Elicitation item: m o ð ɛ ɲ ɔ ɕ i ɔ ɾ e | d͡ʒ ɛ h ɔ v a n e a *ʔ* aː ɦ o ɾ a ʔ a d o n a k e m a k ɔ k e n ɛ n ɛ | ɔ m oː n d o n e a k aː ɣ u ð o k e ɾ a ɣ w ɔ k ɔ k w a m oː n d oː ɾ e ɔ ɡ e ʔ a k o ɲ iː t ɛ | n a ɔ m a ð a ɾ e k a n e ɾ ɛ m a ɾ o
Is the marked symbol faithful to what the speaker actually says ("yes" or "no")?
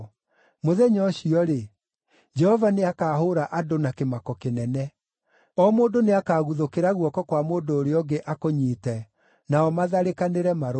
no